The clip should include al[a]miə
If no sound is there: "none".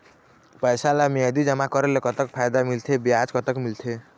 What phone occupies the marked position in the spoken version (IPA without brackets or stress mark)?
a